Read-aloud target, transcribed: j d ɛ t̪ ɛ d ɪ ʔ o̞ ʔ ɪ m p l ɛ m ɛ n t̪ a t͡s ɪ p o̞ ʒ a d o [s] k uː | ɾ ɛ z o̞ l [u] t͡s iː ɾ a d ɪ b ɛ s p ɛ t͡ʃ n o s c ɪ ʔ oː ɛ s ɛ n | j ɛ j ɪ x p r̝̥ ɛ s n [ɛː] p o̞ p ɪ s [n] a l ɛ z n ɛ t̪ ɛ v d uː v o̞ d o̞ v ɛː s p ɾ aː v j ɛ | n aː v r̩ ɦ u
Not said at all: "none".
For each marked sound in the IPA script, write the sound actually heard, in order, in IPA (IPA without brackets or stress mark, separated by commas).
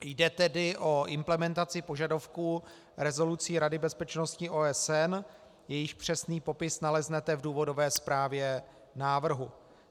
f, u, iː, n